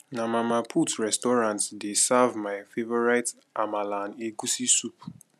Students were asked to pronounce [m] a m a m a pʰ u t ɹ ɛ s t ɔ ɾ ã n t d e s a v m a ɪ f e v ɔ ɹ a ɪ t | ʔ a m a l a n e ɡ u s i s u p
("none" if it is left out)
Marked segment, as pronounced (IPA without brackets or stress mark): n